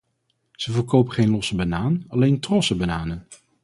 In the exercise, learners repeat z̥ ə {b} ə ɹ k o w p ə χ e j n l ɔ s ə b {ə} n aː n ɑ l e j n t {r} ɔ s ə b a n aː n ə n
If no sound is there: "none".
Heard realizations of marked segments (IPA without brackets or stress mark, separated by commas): v, a, r